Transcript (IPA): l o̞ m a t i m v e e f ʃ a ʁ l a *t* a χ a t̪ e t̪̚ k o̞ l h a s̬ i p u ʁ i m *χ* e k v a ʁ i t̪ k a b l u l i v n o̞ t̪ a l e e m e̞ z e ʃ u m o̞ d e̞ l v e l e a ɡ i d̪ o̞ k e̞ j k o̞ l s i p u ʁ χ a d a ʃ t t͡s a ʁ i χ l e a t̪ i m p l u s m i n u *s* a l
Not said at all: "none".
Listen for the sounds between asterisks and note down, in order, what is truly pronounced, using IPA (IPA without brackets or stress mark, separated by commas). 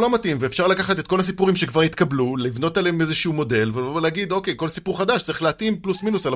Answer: k, ʃ, s